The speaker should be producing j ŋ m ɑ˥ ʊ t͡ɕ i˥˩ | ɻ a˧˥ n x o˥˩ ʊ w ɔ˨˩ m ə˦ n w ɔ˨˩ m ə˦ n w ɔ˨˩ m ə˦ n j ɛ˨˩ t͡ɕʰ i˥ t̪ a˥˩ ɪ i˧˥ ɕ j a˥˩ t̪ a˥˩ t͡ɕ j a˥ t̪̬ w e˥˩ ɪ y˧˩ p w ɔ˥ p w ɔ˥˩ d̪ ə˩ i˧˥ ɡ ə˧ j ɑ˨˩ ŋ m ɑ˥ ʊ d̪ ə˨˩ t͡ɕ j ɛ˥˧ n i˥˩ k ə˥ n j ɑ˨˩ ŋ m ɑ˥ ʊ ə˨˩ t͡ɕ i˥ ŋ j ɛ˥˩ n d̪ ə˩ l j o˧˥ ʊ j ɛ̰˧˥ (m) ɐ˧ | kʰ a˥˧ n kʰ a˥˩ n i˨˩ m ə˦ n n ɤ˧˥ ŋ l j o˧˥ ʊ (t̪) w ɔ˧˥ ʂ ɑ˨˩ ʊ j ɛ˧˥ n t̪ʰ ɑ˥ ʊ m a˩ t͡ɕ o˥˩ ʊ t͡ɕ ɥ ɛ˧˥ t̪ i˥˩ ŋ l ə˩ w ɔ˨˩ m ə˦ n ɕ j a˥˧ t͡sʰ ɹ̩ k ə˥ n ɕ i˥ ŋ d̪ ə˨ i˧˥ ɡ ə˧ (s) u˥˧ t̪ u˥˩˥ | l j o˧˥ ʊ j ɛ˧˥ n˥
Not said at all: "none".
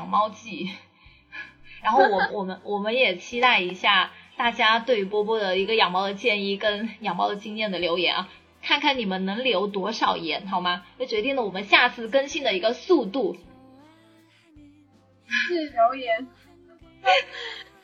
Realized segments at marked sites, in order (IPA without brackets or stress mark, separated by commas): n, t̪, s